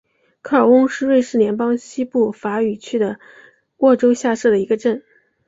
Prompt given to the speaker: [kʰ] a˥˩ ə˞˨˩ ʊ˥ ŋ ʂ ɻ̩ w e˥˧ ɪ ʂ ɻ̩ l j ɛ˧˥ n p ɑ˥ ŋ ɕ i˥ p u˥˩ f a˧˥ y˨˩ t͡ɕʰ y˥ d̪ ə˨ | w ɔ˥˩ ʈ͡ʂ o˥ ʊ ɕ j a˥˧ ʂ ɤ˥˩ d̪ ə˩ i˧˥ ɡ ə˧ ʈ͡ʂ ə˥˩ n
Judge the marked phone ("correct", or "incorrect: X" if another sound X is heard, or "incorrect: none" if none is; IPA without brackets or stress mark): correct